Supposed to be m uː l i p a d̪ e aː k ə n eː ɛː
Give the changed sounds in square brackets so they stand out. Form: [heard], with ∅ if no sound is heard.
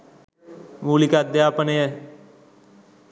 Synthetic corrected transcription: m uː l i [k] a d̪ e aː [p] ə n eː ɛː